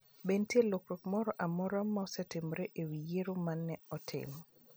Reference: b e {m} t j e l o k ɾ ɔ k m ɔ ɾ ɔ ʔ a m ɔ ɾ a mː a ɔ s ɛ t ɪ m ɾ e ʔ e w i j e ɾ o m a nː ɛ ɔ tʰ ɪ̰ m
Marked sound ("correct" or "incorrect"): incorrect